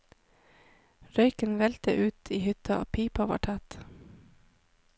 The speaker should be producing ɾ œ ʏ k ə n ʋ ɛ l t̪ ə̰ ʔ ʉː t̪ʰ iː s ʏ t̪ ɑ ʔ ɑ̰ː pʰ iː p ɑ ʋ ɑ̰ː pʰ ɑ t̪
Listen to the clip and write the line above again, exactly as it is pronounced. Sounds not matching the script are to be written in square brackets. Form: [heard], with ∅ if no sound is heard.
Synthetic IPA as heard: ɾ œ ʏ k ə n ʋ ɛ l t̪ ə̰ ʔ ʉː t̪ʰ iː [h] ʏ t̪ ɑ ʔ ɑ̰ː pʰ iː p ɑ ʋ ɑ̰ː [ʈʰ] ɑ t̪